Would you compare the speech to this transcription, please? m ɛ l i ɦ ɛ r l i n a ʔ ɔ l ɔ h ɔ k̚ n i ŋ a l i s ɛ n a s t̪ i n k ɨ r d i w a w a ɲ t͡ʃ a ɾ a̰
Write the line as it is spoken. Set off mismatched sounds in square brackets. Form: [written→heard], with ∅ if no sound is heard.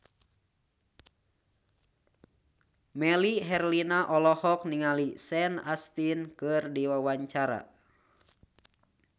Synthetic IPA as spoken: m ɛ l i ɦ ɛ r l i n a ʔ ɔ l ɔ h ɔ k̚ n i ŋ a l i s ɛ n a s t̪ i n k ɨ r d i w a w a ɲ t͡ʃ a ɾ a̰